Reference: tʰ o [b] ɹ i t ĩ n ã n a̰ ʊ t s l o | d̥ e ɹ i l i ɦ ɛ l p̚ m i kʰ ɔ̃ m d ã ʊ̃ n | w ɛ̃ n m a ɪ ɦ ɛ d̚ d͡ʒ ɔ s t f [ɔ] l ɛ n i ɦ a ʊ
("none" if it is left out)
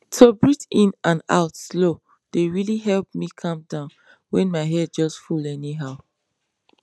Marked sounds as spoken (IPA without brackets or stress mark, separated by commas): b, u